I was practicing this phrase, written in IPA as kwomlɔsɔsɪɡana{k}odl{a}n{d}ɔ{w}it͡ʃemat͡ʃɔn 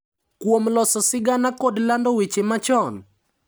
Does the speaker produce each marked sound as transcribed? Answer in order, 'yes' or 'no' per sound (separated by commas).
yes, yes, yes, yes